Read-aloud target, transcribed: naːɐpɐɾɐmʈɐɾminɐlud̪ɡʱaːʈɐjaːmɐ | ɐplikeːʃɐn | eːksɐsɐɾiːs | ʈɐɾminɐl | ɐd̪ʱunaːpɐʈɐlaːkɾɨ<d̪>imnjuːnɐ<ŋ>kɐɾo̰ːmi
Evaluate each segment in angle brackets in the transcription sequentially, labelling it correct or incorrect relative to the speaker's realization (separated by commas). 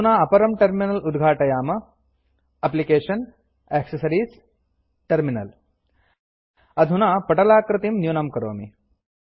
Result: incorrect, incorrect